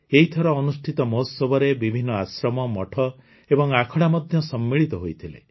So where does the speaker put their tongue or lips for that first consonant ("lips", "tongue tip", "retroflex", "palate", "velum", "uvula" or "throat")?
throat